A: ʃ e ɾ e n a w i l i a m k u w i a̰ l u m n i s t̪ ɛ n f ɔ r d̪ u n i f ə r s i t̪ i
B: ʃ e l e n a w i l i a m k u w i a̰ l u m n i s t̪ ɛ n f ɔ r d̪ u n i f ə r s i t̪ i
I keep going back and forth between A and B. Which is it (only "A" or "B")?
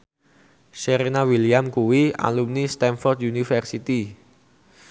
A